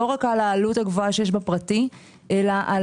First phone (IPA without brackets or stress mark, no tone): o̞